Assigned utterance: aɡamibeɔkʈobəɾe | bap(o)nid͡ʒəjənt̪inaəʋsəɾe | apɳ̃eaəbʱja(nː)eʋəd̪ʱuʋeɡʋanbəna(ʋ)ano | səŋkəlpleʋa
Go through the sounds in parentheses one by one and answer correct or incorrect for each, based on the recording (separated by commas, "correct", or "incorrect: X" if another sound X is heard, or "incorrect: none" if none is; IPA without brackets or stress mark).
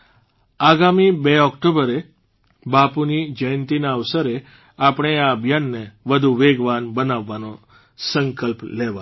incorrect: u, correct, incorrect: ʋː